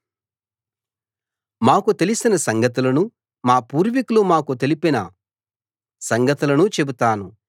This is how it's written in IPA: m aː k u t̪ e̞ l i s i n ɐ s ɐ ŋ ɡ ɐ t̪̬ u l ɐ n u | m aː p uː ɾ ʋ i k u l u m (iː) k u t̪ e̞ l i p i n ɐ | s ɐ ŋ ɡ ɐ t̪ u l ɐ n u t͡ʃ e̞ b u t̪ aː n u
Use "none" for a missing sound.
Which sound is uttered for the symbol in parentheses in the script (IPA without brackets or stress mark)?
aː